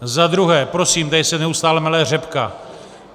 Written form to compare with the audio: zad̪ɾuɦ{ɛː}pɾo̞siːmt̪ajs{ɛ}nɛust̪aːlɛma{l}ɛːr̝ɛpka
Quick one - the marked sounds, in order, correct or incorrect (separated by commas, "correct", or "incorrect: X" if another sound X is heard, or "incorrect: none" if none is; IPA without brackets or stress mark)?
correct, correct, correct